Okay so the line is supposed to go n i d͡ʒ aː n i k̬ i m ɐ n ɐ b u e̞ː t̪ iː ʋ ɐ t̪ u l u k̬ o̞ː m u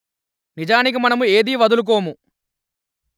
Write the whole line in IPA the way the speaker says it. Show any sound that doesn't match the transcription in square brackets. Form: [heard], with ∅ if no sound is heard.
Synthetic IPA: n i d͡ʒ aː n i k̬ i m ɐ n ɐ [m] u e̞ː [d̪] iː ʋ ɐ [d̪] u l u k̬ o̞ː m u